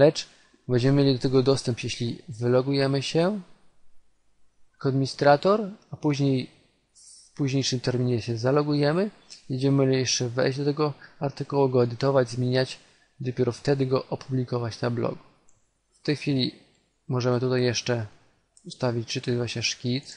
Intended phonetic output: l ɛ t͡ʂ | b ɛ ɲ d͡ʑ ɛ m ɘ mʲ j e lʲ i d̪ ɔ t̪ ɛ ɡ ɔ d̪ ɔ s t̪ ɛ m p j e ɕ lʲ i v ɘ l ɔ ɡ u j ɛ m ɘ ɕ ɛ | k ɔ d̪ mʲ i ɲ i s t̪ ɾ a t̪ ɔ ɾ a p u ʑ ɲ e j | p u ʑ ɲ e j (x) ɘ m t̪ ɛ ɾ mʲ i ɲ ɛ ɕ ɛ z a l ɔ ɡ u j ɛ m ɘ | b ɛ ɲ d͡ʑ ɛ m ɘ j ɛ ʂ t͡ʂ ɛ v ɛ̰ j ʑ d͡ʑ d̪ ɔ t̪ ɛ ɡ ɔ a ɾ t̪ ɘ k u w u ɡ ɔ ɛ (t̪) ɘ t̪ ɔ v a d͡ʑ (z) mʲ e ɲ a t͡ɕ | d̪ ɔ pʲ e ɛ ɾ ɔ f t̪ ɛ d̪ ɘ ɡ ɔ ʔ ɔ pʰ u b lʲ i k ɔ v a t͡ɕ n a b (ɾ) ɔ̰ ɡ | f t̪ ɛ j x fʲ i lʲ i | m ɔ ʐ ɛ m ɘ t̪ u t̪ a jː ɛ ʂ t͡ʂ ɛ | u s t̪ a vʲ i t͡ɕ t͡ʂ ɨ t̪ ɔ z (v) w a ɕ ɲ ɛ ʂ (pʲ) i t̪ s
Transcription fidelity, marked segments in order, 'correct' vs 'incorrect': incorrect, incorrect, correct, incorrect, correct, incorrect

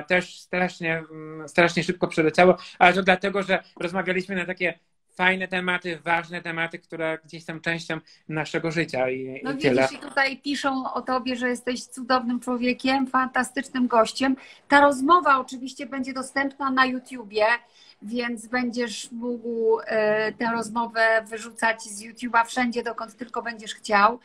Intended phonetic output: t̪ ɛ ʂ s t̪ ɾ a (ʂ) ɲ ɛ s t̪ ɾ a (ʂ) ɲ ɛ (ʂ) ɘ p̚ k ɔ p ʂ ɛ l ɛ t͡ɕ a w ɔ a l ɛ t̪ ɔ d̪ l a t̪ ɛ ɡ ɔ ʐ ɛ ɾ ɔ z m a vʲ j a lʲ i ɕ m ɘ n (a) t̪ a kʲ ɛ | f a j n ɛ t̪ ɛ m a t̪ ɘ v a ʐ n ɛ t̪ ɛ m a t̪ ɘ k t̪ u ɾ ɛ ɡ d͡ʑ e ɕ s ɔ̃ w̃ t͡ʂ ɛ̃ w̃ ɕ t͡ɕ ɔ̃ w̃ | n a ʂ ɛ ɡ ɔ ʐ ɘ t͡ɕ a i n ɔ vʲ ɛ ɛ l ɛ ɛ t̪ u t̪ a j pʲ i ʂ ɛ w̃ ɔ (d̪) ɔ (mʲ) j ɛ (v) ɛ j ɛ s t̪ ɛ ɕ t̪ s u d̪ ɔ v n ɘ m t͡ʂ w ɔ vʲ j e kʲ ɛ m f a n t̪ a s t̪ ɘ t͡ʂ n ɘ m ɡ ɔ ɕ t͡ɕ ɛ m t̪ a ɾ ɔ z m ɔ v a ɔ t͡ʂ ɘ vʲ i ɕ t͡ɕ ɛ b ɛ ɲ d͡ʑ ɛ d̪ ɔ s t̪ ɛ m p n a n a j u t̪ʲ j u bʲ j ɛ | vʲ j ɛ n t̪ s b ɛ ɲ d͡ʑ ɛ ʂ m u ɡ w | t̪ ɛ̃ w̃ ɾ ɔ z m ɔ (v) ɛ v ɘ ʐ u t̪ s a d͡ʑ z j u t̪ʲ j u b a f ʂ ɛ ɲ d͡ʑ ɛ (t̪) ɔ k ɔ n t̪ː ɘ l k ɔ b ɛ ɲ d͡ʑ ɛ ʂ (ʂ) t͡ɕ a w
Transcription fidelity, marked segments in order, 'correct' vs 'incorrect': correct, correct, correct, correct, incorrect, incorrect, incorrect, correct, incorrect, incorrect

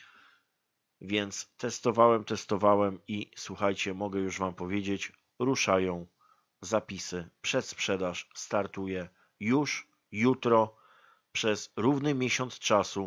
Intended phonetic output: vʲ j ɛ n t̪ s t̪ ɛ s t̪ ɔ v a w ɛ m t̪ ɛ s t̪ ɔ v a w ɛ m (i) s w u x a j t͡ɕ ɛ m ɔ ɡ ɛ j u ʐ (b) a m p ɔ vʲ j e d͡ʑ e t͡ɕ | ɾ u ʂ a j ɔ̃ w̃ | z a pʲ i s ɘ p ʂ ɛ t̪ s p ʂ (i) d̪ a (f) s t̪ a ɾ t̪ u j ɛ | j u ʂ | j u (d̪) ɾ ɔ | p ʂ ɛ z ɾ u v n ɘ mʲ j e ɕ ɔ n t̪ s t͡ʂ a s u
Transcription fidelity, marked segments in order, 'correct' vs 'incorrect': correct, incorrect, incorrect, incorrect, incorrect

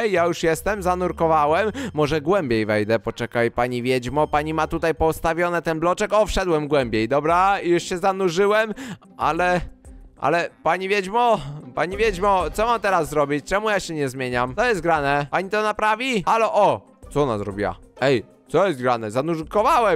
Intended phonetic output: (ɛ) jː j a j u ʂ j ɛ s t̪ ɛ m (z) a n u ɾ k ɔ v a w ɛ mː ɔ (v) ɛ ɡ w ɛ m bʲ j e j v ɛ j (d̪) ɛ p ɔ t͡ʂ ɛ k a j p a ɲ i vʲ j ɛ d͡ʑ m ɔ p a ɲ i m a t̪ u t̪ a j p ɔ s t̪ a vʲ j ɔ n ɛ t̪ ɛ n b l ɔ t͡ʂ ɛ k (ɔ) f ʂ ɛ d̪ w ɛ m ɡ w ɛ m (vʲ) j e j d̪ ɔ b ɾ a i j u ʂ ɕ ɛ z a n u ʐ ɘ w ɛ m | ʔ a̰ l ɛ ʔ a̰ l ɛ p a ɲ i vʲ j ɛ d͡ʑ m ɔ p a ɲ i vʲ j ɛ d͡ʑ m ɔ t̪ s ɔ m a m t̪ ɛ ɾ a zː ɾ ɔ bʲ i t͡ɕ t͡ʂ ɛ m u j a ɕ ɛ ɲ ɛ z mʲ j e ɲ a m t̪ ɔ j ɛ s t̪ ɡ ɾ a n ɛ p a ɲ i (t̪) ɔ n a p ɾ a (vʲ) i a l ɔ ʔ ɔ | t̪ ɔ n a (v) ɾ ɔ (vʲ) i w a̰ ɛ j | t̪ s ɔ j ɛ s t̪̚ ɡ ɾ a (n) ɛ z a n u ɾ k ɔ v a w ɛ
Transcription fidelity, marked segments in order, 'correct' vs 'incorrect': correct, correct, incorrect, correct, correct, incorrect, correct, correct, incorrect, incorrect, correct

